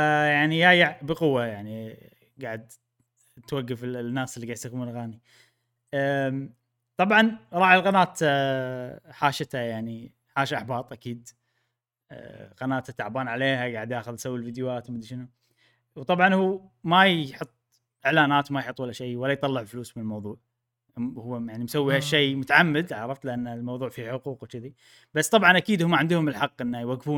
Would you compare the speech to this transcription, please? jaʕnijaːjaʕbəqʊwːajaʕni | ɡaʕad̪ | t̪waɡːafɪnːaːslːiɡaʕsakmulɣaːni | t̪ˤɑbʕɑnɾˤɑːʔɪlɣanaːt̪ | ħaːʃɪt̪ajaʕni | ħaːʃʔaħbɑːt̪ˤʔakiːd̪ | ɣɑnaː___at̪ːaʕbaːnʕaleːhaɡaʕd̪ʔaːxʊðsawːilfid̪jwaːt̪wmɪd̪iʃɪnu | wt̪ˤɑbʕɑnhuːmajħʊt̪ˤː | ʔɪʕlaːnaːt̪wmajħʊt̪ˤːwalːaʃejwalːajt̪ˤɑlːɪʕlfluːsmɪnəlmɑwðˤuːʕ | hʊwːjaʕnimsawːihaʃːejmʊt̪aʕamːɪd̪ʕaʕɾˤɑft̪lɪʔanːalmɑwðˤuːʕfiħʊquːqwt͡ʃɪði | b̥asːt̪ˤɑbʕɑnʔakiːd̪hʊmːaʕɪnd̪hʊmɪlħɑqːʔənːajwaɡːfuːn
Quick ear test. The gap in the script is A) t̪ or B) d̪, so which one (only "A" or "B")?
A